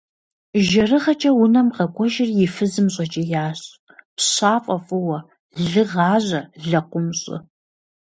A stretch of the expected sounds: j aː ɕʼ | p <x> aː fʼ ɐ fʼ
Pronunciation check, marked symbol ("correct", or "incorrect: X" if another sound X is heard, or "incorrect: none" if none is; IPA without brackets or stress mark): incorrect: ɕ